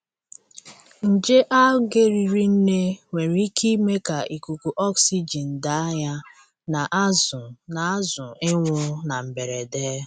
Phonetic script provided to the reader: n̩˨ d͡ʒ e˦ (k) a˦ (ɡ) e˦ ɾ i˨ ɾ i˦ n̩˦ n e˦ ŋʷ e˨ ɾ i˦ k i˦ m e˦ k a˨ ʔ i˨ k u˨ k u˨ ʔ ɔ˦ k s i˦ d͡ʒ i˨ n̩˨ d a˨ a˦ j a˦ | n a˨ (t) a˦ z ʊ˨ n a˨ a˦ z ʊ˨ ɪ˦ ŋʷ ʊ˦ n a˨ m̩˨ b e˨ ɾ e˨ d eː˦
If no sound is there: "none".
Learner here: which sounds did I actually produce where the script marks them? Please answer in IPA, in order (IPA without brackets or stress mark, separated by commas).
ʔ, ɡ, ʔ